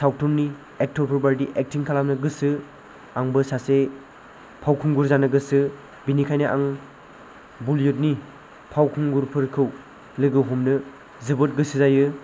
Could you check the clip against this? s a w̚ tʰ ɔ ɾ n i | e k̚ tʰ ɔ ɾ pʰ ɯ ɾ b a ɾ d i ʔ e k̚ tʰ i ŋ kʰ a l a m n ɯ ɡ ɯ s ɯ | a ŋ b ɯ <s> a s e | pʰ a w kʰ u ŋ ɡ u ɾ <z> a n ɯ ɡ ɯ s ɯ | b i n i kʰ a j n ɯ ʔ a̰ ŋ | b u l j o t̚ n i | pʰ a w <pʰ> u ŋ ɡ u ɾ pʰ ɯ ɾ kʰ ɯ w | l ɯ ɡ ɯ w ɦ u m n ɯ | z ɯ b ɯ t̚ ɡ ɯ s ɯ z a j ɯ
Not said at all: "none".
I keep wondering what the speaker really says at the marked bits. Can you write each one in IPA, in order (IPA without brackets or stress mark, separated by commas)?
s, z, kʰ